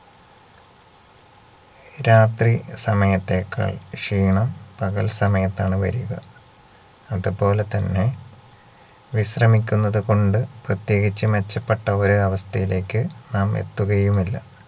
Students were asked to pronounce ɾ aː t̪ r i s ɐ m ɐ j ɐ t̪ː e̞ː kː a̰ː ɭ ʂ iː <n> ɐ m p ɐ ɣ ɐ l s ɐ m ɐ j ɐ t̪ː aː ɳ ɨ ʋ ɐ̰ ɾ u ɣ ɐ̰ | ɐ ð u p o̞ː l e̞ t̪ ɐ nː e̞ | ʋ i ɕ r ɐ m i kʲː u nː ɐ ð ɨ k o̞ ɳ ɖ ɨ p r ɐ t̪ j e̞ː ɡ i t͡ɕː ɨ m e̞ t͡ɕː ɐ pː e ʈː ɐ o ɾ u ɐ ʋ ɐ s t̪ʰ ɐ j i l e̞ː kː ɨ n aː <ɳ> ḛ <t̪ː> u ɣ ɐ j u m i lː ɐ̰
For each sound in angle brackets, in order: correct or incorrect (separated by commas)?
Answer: incorrect, incorrect, correct